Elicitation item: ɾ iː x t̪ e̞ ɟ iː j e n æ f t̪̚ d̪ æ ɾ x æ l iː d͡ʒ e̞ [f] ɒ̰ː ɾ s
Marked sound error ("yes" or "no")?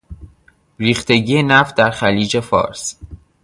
no